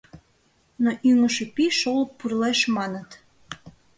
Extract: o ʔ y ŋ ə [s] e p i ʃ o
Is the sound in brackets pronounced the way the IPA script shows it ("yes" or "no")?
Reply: no